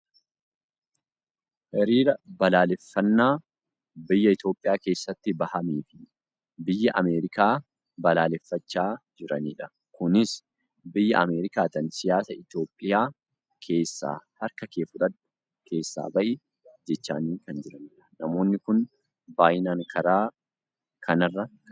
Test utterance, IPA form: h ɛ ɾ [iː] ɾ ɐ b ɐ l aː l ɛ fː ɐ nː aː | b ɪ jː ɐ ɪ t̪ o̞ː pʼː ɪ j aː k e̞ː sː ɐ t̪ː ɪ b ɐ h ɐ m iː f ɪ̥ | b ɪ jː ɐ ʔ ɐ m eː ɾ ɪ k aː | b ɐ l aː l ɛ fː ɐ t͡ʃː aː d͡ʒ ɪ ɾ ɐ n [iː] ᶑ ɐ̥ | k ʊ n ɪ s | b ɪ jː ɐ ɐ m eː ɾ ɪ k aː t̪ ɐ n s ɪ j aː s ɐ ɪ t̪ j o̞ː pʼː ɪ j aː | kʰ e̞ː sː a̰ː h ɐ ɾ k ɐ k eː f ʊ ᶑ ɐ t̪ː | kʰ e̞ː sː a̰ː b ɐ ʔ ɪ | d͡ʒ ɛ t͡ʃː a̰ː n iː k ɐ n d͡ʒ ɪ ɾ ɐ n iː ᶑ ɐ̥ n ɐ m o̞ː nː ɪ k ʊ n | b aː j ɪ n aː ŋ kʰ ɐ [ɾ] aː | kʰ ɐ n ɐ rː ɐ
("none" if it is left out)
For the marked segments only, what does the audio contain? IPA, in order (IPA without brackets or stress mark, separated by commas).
iː, iː, ɾ